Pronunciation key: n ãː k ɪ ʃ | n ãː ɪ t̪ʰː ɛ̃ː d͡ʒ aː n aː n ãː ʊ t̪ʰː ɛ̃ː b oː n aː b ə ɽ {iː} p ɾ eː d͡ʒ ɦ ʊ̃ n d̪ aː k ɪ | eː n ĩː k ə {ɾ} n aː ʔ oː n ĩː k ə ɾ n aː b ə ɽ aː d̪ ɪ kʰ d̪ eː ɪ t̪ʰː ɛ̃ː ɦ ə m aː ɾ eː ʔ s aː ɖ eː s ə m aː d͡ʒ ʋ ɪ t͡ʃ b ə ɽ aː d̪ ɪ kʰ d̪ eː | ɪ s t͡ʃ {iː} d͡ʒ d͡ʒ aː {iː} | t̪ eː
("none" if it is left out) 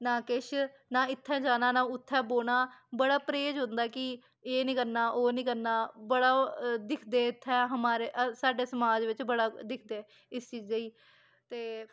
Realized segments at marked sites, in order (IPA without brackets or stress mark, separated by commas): aː, ɾ, iː, iː